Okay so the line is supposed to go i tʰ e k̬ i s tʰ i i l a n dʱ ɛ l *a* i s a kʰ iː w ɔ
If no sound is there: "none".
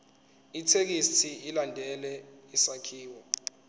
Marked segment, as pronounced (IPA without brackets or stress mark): ɛ